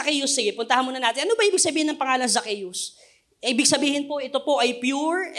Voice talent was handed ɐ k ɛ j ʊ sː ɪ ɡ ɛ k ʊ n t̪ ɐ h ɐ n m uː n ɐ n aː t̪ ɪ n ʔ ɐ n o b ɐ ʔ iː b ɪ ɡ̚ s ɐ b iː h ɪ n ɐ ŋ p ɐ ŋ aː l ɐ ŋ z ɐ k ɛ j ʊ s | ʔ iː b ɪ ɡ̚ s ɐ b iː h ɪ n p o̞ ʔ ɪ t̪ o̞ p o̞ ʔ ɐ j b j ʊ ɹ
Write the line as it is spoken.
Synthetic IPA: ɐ k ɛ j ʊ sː ɪ ɡ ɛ p ʊ n t̪ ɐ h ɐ n m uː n ɐ n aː t̪ ɪ n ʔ ɐ n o b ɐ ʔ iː b ɪ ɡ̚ s ɐ b iː h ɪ n ɐ ŋ p ɐ ŋ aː l ɐ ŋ z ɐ k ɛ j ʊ s | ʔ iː b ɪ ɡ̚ s ɐ b iː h ɪ n p o̞ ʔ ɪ t̪ o̞ p o̞ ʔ ɐ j p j u ɹ